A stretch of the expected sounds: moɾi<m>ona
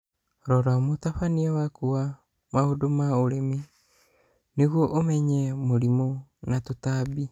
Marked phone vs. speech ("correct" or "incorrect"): correct